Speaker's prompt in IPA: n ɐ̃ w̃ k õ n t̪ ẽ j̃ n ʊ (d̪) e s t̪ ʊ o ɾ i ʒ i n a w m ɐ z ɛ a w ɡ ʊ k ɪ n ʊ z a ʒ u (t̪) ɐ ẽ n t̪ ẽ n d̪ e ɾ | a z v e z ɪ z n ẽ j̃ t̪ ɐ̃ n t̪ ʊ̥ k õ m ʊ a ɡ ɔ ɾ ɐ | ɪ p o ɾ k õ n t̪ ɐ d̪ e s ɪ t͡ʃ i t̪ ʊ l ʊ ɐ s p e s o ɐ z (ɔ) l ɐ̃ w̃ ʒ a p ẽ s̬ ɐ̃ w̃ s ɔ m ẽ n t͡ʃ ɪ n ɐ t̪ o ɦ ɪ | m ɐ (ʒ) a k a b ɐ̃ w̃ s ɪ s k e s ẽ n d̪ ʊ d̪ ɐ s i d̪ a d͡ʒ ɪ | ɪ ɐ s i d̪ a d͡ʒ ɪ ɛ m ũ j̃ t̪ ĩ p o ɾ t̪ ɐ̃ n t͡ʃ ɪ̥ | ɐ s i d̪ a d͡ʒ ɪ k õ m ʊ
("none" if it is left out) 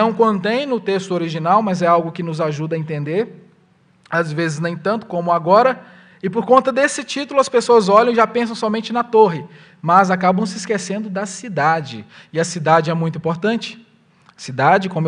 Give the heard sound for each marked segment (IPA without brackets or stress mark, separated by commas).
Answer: t̪, d̪, ɔ, z